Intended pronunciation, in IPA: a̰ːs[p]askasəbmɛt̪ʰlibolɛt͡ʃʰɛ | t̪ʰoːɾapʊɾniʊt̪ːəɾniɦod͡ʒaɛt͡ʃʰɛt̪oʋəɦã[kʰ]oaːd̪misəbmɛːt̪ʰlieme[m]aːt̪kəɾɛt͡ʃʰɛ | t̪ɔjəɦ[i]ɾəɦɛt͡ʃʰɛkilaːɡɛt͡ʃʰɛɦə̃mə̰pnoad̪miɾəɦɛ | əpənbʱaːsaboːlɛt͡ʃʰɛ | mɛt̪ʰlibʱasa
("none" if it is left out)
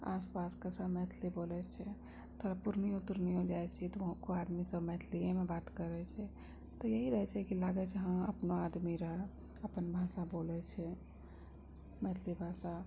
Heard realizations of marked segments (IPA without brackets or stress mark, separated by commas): p, k, b, i